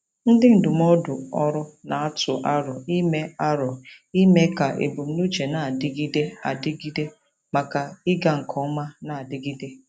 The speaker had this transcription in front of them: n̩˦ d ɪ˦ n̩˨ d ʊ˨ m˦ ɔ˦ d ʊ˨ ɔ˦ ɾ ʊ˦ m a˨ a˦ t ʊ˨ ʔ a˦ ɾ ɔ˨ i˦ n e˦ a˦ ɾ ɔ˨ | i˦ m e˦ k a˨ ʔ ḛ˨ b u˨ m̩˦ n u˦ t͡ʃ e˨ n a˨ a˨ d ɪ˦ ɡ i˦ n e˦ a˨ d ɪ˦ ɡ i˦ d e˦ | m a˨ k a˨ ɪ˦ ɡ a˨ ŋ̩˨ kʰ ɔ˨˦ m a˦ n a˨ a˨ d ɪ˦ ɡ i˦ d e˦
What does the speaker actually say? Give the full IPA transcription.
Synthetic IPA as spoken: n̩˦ d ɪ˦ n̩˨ d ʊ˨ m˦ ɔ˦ d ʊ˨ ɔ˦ ɾ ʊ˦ n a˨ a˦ t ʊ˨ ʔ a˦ ɾ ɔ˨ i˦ m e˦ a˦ ɾ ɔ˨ | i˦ m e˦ k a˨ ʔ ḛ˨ b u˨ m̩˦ n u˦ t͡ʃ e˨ n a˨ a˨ d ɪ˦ ɡ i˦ d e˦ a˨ d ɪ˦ ɡ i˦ d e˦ | m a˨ k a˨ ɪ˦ ɡ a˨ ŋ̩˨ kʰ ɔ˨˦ m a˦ n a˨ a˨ d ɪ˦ ɡ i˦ d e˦